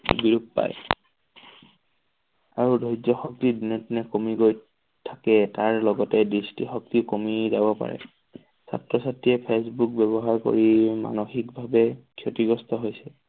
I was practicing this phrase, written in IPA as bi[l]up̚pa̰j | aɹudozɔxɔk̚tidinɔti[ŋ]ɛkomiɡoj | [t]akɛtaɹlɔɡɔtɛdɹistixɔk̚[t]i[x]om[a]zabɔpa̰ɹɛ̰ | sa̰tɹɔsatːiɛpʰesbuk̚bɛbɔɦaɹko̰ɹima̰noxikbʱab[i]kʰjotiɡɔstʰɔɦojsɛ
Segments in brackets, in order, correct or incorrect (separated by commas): incorrect, incorrect, incorrect, correct, incorrect, incorrect, incorrect